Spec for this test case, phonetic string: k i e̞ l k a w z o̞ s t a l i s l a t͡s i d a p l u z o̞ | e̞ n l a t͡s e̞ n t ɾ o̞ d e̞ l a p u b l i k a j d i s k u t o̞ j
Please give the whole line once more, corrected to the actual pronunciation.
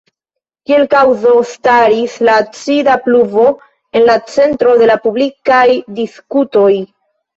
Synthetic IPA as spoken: k i e̞ l k a w z o̞ s t a ɾ i s l a t͡s i d a p l u v o̞ | e̞ n l a t͡s e̞ n t ɾ o̞ d e̞ l a p u b l i k a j d i s k u t o̞ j

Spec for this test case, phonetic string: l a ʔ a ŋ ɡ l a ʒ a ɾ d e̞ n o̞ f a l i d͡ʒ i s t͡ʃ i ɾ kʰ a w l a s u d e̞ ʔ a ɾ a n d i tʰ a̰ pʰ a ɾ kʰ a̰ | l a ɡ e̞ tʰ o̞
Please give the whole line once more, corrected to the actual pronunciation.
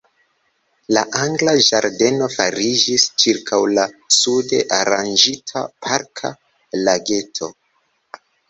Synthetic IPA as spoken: l a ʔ a ŋ ɡ l a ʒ a ɾ d e̞ n o̞ f a ɾ i d͡ʒ i s t͡ʃ i ɾ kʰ a w l a s u d e̞ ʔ a ɾ a n d͡ʒ i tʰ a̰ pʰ a ɾ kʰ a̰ | l a ɡ e̞ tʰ o̞

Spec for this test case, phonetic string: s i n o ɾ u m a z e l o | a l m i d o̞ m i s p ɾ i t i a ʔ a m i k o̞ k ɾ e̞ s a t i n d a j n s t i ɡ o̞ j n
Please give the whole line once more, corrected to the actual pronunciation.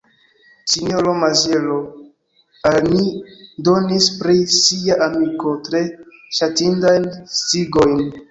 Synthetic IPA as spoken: s i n o ɾ o m a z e l o | a l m i d o̞ n i s p ɾ i s i a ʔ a m i k o̞ t ɾ e̞ ʃ a t i n d a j n s t i ɡ o̞ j n

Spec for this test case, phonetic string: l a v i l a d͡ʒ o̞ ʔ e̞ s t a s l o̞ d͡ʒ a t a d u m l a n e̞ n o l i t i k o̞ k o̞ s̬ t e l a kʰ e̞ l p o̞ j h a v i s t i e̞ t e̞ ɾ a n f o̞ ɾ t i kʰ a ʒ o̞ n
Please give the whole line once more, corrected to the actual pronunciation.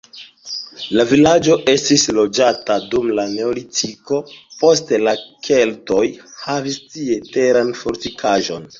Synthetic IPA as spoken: l a v i l a d͡ʒ o̞ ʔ e̞ s t i s l o̞ d͡ʒ a t a d u m l a n e̞ o l i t i k o̞ p o̞ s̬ t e l a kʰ e̞ l t o̞ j h a v i s t i e̞ t e̞ ɾ a n f o̞ ɾ t i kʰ a ʒ o̞ n

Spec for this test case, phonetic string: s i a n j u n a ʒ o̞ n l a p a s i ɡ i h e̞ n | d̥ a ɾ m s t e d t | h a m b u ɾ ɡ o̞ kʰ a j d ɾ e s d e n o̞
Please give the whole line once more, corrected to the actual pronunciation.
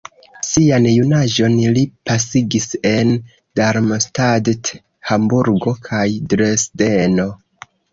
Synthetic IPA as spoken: s i a n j u n a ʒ o̞ n l i p a s i ɡ i s e̞ n | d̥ a ɾ m s t a d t | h a m b u ɾ ɡ o̞ kʰ a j d ɾ e s d e n o̞

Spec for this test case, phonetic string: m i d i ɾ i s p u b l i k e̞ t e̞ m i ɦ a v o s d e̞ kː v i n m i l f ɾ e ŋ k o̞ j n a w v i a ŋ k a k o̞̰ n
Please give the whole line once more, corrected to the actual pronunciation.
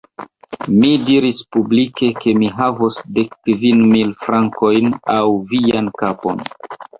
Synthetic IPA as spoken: m i d i ɾ i s p u b l i k e̞ k e̞ m i ɦ a v o s d e̞ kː v i n m i l f ɾ a ŋ k o̞ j n a w v i a n k a p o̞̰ n

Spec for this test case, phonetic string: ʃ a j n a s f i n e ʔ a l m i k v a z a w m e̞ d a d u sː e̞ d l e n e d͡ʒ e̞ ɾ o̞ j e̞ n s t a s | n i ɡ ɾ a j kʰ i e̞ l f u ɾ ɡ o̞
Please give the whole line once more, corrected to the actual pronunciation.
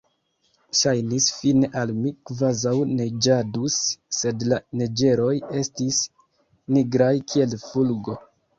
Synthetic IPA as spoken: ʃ a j n i s f i n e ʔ a l m i k v a z a w n e̞ d͡ʒ a d u sː e̞ d l a n e d͡ʒ e̞ ɾ o̞ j e̞ s t i s | n i ɡ ɾ a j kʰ i e̞ l f u l ɡ o̞

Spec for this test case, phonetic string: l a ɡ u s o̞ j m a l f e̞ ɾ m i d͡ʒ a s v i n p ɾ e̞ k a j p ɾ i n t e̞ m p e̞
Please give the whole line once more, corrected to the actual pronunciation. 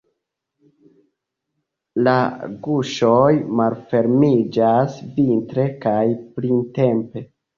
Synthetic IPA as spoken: l a ɡ u ʃ o̞ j m a l f e̞ ɾ m i d͡ʒ a s v i n t ɾ e̞ k a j p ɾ i n t e̞ m p e̞

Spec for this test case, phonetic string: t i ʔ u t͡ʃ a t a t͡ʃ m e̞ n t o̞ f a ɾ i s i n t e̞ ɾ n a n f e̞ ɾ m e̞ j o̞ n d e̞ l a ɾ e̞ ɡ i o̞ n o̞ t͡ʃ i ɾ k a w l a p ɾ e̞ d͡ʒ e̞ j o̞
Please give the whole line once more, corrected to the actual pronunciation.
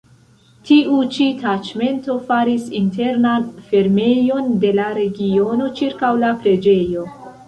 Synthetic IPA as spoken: t i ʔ u t͡ʃ i t a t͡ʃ m e̞ n t o̞ f a ɾ i s i n t e̞ ɾ n a n f e̞ ɾ m e̞ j o̞ n d e̞ l a ɾ e̞ ɡ i o̞ n o̞ t͡ʃ i ɾ k a w l a p ɾ e̞ d͡ʒ e̞ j o̞

